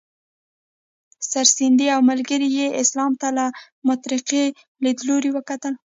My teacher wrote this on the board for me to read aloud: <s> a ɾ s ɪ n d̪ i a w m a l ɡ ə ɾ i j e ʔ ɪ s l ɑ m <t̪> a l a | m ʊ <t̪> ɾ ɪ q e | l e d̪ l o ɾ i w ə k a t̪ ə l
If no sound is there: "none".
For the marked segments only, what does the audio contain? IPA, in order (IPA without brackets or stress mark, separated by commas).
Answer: s, t̪, t̪